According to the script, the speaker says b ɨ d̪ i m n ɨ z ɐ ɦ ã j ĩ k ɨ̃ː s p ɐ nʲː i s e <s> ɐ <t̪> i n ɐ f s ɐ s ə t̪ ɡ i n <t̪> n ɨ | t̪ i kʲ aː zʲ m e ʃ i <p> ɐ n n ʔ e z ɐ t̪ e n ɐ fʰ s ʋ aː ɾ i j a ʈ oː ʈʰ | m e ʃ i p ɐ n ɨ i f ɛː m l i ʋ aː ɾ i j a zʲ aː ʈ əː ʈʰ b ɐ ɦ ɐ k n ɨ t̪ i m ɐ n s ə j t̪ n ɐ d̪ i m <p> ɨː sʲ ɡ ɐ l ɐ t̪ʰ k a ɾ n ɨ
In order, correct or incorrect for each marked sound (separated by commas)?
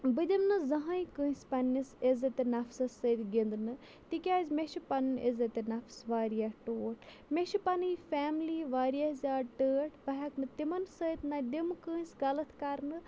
incorrect, correct, incorrect, correct, incorrect